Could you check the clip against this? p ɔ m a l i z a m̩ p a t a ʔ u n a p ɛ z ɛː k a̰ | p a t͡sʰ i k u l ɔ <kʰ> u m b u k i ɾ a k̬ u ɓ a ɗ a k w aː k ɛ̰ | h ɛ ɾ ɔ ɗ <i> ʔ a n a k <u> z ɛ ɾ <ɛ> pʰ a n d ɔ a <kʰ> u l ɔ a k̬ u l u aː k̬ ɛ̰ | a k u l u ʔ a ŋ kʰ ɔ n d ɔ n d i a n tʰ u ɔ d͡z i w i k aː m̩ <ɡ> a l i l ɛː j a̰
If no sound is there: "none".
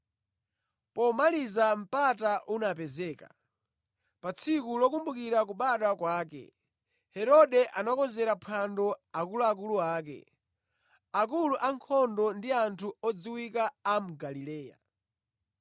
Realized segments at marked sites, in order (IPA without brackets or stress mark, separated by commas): k, ɛ, ɔ, a, k, ɡ